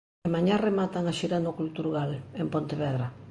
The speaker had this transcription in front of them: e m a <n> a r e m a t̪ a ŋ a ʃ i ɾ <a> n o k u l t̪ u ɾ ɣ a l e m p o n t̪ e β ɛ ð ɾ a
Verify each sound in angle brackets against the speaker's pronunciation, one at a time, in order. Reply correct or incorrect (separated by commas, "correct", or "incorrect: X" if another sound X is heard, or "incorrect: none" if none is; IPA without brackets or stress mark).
incorrect: ɲ, correct